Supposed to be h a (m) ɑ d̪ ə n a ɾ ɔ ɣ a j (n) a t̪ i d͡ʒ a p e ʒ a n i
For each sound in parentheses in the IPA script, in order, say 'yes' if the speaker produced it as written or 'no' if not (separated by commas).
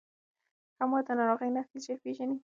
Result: yes, yes